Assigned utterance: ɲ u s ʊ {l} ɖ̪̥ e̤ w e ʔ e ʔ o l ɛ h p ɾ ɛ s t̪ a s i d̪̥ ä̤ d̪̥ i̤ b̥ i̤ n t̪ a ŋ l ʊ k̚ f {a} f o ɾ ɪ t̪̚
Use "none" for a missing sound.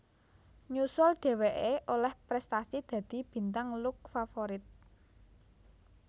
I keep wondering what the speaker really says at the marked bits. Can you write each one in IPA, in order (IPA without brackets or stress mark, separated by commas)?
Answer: l, a